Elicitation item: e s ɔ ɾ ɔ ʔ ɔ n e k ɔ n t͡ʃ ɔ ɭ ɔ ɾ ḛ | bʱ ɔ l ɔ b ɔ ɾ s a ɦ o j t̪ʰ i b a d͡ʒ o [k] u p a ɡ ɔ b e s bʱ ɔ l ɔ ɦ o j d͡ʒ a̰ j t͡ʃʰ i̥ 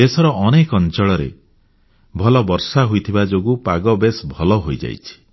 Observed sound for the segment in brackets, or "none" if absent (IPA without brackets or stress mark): ɡ